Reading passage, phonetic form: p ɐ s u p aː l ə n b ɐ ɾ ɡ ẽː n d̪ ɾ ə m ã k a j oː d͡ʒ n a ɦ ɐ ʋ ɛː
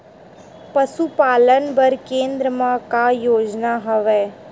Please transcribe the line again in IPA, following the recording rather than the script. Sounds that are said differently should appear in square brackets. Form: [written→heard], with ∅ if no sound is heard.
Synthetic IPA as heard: p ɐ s u p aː l ə n b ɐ ɾ [ɡ→k] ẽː n d̪ ɾ ə m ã k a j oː d͡ʒ n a ɦ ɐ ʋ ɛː